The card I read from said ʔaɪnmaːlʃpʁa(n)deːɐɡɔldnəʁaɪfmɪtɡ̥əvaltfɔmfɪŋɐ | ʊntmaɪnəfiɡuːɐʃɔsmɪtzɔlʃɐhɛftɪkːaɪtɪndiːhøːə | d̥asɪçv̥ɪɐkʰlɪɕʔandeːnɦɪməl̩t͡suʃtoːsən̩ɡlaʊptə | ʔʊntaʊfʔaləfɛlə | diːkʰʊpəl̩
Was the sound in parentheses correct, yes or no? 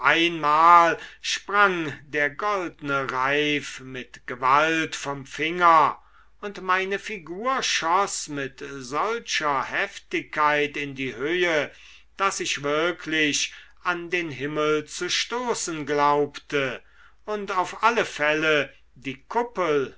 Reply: no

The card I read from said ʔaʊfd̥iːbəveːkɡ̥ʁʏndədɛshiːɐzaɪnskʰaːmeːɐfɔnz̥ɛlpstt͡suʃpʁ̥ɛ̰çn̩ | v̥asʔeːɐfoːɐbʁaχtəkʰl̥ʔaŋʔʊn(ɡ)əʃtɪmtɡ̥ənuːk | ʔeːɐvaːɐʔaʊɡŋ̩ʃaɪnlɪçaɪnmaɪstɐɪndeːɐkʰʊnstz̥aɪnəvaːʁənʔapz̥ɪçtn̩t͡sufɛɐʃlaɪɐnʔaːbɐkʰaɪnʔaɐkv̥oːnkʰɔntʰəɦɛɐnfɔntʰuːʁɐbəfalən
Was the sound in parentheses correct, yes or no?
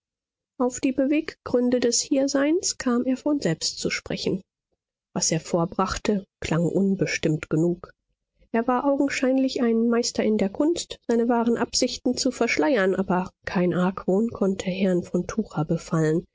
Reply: no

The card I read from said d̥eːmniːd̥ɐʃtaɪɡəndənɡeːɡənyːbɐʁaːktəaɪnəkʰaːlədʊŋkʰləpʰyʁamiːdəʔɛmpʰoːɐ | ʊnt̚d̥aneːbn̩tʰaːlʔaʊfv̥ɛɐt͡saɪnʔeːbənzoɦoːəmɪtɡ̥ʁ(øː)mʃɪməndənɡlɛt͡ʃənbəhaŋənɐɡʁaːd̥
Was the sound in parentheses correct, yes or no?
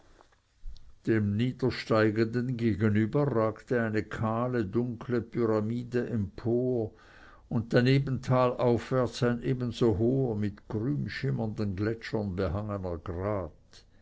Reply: no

